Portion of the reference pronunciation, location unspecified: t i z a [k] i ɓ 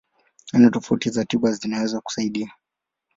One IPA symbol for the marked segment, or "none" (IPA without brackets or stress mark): t